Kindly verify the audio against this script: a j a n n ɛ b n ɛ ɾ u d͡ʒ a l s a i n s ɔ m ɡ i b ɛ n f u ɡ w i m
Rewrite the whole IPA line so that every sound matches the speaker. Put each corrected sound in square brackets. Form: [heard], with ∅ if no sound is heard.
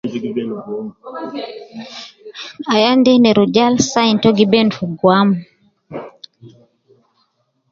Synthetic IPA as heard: a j a n [d] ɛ [∅] n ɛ ɾ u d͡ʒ a l s a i n [t] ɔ [∅] ɡ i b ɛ n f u ɡ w [a] m